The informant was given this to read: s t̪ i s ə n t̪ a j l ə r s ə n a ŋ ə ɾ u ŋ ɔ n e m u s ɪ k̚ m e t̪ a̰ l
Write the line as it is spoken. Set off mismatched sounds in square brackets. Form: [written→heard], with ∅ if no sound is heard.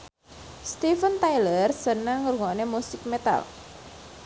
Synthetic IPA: s t̪ i [s→f] ə n t̪ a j l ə r s ə n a ŋ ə ɾ u ŋ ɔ n e m u s ɪ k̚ m e t̪ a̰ l